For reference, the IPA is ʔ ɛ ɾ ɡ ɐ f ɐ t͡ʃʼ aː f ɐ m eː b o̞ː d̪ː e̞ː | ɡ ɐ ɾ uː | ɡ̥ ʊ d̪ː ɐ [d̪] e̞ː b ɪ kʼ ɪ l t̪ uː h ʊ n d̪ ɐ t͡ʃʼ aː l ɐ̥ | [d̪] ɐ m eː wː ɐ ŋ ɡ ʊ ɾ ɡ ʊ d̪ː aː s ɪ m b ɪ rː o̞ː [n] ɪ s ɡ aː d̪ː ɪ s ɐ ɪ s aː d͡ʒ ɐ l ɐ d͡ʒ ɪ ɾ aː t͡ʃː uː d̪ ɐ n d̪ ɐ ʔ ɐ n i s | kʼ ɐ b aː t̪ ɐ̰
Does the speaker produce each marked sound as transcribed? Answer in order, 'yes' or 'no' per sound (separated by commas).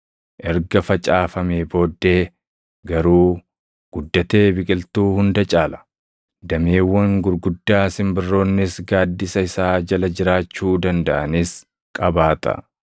no, yes, no